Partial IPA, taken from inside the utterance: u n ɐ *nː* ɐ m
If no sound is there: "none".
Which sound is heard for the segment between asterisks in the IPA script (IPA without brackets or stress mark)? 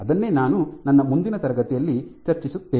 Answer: nː